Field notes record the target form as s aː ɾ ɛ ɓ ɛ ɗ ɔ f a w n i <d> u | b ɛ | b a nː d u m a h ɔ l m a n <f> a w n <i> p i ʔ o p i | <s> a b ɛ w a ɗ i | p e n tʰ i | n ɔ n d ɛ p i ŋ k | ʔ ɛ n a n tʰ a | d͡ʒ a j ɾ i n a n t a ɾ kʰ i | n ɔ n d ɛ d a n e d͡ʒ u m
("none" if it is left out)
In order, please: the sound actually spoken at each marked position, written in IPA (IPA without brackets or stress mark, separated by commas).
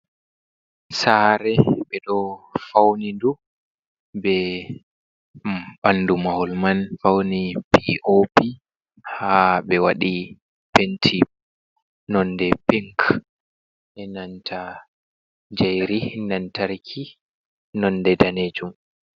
d, f, i, h